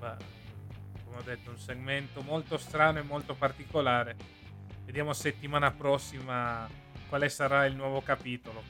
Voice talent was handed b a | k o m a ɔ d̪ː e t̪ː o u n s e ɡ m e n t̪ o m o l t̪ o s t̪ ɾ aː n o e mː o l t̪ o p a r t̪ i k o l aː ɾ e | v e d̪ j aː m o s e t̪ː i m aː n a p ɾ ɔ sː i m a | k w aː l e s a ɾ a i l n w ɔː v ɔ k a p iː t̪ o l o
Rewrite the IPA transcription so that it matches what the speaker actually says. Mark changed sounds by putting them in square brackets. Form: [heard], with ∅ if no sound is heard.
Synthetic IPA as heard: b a | k o m [e] ɔ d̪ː e t̪ː o u n s e ɡ m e n t̪ o m o l t̪ o s t̪ ɾ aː n o e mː o l t̪ o p a r t̪ i k o l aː ɾ e | v e d̪ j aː m o s e t̪ː i m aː n a p ɾ ɔ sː i m a | k w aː l e s a ɾ a i l n w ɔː v [o] k a p iː t̪ o l o